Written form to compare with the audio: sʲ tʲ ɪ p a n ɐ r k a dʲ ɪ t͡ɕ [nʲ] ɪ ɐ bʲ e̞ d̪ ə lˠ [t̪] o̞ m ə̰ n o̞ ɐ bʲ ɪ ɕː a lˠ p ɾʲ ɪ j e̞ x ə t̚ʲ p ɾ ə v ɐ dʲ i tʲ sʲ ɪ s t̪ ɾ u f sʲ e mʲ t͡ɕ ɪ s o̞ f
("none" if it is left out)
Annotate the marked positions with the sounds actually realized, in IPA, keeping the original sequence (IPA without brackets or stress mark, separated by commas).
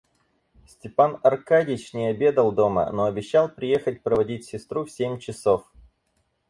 nʲ, d̪